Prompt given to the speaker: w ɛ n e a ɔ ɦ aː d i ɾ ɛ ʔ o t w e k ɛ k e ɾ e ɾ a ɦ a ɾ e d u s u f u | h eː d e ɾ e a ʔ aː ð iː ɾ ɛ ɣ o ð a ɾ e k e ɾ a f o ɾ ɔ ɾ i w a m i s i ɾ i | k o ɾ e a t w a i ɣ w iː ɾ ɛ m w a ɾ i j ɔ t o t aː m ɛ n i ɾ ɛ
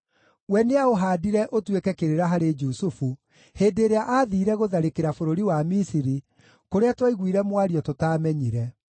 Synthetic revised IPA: w ɛ n e a o ɦ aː d i ɾ ɛ ʔ o t w e k ɛ k e ɾ e ɾ a ɦ a ɾ e d͡ʒ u s u f u | h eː d e ɾ e a ʔ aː ð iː ɾ ɛ ɣ o ð a ɾ e k e ɾ a f o ɾ o ɾ i w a m i s i ɾ i | k o ɾ e a t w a i ɣ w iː ɾ ɛ m w a ɾ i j ɔ t o t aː m ɛ ɲ i ɾ ɛ